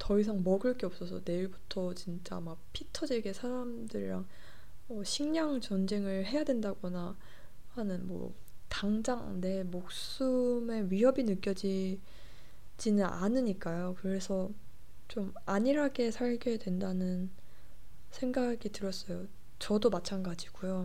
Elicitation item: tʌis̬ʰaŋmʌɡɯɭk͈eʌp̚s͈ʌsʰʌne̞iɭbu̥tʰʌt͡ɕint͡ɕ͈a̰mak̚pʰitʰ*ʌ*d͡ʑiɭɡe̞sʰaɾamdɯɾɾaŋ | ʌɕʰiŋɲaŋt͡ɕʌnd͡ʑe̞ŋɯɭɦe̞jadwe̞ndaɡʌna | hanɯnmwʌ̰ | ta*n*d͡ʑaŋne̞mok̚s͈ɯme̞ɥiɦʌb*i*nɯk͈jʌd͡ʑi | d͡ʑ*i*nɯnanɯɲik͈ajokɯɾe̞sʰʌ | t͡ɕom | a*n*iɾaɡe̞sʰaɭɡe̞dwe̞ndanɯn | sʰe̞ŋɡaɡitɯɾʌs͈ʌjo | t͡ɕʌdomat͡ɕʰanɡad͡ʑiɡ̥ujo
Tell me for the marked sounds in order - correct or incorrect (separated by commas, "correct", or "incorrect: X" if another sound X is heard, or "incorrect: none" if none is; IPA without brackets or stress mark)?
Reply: correct, incorrect: ŋ, correct, correct, incorrect: ɲ